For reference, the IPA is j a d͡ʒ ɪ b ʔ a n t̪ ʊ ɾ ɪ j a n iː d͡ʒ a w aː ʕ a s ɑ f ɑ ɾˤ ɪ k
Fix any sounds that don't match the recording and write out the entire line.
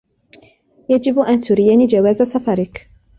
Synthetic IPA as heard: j a d͡ʒ ɪ b ʔ a n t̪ ʊ ɾ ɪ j a n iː d͡ʒ a w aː z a s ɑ f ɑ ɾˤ ɪ k